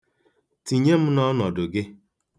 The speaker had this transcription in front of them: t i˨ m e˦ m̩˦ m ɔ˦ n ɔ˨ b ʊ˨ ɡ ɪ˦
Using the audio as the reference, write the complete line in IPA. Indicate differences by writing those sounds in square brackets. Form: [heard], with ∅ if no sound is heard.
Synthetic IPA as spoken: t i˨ [ɲ] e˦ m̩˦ [n] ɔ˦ n ɔ˨ [d] ʊ˨ ɡ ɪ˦

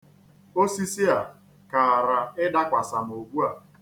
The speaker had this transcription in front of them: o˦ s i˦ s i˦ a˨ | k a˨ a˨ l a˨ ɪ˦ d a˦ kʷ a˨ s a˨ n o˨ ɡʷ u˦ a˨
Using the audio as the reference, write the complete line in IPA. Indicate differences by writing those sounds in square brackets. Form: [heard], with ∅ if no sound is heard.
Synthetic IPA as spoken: o˦ s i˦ s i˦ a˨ | k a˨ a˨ [ɾ] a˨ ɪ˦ d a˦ kʷ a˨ s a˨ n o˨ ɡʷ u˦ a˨

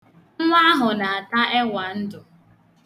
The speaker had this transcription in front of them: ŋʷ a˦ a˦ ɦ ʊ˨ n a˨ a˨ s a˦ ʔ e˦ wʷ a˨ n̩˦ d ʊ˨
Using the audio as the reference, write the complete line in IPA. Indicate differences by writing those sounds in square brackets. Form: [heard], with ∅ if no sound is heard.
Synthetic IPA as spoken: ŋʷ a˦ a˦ ɦ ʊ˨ n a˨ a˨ [t] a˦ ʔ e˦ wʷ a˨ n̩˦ d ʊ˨

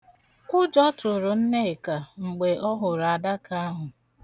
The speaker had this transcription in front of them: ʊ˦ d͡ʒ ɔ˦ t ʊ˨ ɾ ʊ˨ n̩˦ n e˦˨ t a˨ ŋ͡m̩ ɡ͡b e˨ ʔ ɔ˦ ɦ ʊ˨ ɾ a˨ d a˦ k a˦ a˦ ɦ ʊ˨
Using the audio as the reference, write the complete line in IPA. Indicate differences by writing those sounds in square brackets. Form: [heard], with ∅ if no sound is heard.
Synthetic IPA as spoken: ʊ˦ d͡ʒ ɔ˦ t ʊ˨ ɾ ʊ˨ n̩˦ n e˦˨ [k] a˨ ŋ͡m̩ ɡ͡b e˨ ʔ ɔ˦ ɦ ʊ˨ ɾ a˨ d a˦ k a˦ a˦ ɦ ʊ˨

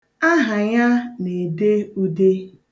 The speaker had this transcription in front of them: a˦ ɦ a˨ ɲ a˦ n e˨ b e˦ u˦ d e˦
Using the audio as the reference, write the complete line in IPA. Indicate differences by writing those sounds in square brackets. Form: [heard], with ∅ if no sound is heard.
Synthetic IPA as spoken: a˦ ɦ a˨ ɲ a˦ n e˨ [d] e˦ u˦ d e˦

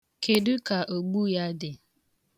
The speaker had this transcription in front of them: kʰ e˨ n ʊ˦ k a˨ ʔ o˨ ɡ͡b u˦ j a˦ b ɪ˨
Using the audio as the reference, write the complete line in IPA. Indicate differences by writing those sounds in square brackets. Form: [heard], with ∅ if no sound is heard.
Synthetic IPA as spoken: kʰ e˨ [d] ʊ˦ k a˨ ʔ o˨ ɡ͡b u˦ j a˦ [d] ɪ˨

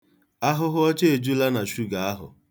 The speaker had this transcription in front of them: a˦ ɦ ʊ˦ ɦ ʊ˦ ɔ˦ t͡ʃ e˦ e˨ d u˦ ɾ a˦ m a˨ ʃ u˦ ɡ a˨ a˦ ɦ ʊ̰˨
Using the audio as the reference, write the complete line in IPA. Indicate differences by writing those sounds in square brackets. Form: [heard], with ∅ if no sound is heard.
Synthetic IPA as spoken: a˦ ɦ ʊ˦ ɦ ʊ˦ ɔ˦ t͡ʃ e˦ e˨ [d͡ʒ] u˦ [l] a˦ [n] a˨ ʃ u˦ ɡ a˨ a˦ ɦ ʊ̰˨

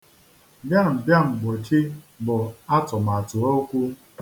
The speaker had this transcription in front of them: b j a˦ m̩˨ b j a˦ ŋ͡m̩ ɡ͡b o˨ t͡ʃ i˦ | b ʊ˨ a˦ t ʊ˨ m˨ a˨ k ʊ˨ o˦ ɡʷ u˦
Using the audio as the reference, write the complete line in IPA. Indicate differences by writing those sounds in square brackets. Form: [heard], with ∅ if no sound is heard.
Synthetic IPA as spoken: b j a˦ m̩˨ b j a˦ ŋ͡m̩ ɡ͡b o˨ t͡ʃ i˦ | b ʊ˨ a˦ t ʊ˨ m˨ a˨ [t] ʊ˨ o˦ [kʷ] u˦

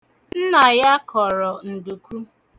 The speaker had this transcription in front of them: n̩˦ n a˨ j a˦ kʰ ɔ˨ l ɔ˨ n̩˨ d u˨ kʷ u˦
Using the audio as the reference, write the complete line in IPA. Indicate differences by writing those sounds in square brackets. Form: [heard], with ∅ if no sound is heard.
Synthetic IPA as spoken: n̩˦ n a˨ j a˦ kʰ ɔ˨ [ɾ] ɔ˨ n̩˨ d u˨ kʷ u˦

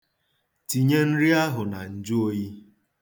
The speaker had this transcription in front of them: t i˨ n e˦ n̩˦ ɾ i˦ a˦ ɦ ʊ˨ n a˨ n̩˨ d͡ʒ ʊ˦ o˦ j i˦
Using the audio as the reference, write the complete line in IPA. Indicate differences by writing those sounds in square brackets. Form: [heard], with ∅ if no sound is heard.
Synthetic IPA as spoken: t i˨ [ɲ] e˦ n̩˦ ɾ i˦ a˦ ɦ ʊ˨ n a˨ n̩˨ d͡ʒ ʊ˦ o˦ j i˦

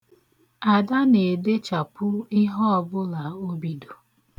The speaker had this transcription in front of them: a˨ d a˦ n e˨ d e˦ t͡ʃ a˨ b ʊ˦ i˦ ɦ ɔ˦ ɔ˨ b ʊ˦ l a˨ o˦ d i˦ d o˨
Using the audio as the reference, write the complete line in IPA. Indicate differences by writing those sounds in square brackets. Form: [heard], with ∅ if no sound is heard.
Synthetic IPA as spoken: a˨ d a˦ n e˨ d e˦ t͡ʃ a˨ [p] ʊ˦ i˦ ɦ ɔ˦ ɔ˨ b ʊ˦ l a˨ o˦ [b] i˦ d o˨

